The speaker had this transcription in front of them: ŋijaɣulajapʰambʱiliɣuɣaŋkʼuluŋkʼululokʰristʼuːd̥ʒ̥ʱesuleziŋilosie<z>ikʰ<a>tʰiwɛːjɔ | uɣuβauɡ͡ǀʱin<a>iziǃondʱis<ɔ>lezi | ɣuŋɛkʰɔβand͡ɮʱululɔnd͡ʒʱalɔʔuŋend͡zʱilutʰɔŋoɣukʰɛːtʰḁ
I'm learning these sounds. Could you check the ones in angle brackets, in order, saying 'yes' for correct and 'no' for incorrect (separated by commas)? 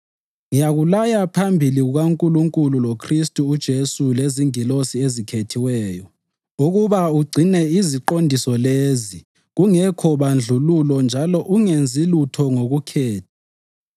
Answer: yes, no, no, yes